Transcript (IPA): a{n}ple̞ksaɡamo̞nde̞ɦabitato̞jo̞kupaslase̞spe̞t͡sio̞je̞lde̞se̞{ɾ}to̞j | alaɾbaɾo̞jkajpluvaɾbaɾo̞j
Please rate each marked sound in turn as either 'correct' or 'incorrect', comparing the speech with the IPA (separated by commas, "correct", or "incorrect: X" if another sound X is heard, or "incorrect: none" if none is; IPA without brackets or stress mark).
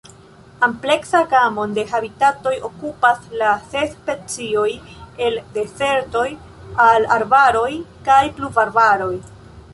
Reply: incorrect: m, correct